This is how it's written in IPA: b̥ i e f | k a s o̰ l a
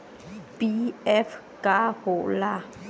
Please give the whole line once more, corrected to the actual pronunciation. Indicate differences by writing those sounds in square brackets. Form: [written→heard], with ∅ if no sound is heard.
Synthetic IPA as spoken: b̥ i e f | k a [s→h] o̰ l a